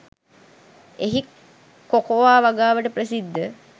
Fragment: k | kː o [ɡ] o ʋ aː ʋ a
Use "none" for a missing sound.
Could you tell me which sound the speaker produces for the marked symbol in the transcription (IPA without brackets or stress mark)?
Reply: k